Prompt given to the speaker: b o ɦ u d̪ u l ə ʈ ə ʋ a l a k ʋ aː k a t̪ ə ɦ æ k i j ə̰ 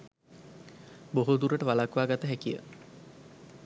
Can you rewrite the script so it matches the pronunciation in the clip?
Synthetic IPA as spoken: b o ɦ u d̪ u ɾ ə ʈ ə ʋ a l a k ʋ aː ɡ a t̪ ə ɦ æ k i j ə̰